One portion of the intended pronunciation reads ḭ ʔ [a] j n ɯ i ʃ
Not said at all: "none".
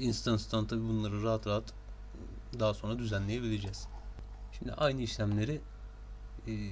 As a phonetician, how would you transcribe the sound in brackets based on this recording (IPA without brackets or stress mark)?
a